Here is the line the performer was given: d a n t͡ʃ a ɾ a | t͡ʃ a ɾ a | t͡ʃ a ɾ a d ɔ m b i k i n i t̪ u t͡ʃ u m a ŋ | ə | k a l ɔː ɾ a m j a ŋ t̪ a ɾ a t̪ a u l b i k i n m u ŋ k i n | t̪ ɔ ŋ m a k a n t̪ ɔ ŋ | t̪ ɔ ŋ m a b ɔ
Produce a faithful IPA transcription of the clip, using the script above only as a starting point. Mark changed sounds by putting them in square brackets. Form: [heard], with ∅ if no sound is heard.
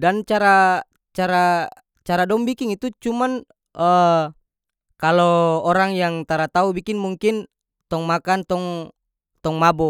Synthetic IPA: d a n t͡ʃ a ɾ a | t͡ʃ a ɾ a | t͡ʃ a ɾ a d ɔ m b i k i [ŋ] i t̪ u t͡ʃ u m a [n] | ə | k a l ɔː ɾ a [ŋ] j a ŋ t̪ a ɾ a t̪ a u [∅] b i k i n m u ŋ k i n | t̪ ɔ ŋ m a k a n t̪ ɔ ŋ | t̪ ɔ ŋ m a b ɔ